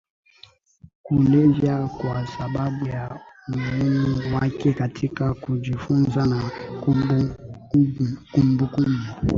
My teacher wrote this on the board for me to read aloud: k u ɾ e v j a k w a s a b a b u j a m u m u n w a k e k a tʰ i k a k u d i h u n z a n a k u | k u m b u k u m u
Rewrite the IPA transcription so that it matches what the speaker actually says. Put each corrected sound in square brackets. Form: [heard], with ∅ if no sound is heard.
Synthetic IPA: k u [l] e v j a k w a s a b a b u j a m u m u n w a k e k a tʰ i k a k u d i [f] u n z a n a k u | k u m b u k u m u